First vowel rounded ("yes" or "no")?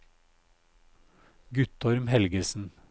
yes